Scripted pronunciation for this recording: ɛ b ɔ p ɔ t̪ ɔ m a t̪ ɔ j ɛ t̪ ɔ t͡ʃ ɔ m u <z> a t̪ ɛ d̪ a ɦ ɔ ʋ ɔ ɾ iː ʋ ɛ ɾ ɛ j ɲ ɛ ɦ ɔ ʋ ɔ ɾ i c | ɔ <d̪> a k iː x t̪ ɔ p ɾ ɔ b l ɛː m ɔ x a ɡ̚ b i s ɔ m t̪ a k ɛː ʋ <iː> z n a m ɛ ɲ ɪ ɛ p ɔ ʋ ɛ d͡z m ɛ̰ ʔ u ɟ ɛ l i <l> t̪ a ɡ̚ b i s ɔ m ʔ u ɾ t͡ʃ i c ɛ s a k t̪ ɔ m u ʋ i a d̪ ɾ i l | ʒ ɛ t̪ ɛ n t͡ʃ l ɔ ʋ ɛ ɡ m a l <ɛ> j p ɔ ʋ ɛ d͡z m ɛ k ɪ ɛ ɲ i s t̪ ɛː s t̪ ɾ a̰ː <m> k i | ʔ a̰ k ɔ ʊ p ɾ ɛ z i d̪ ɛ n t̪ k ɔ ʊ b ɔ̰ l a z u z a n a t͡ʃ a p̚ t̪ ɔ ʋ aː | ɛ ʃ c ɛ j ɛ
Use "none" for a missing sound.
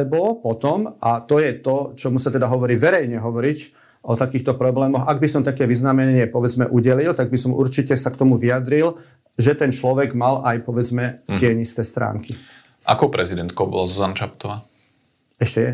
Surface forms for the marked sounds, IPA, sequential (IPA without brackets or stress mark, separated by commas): s, t̪, i, l, a, ŋ